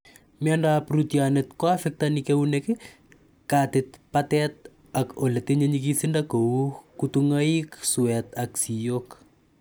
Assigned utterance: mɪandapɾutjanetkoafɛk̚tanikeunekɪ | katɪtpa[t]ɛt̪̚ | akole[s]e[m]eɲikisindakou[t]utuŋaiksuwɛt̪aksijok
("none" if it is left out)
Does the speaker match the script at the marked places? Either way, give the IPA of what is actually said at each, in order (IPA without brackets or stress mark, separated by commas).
t, t, ɲ, k